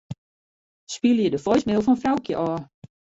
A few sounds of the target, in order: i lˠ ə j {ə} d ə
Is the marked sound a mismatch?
no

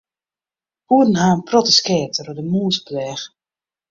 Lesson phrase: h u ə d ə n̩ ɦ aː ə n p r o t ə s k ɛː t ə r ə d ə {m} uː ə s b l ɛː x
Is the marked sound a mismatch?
no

